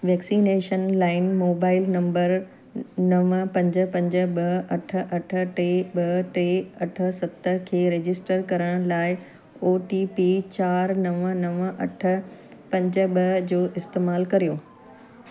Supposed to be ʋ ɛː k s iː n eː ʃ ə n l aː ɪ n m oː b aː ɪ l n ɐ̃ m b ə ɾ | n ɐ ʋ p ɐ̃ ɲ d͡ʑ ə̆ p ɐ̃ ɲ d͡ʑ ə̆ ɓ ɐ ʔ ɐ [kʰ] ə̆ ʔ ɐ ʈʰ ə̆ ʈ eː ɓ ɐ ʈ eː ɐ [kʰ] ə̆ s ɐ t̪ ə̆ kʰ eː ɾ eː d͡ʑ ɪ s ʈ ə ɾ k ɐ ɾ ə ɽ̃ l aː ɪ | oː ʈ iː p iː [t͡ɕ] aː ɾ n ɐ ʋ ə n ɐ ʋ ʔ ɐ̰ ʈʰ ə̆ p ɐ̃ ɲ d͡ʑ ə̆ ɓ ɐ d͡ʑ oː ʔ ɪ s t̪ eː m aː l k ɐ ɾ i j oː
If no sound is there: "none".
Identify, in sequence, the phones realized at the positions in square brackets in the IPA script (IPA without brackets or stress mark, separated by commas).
ʈʰ, ʈʰ, t͡ɕ